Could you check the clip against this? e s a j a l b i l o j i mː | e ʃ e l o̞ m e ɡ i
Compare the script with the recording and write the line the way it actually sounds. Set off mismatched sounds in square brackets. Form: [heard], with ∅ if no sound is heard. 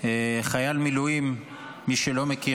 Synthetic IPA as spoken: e [χ] a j a l [m] i l [u] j i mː | [i] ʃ e l o̞ m e [k] i